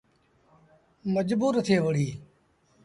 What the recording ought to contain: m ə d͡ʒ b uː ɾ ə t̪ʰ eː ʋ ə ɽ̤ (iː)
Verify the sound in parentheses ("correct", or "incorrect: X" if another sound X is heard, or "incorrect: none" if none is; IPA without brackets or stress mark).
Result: correct